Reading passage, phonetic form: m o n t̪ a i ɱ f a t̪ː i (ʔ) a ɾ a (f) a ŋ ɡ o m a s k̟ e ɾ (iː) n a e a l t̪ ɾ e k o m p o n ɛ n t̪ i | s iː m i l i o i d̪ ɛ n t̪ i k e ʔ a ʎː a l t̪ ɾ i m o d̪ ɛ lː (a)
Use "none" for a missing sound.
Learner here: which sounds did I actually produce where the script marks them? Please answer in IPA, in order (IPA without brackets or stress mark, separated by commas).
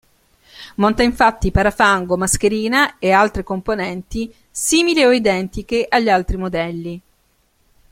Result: p, f, iː, i